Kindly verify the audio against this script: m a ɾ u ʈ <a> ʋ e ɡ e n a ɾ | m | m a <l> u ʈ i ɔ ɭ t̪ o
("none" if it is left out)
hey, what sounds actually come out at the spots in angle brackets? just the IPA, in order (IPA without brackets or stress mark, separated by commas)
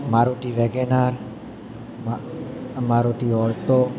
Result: i, ɾ